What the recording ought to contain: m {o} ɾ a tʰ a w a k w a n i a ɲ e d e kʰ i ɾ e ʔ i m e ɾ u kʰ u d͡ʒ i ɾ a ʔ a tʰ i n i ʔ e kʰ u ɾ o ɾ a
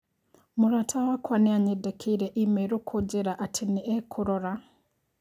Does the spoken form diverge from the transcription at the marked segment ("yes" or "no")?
yes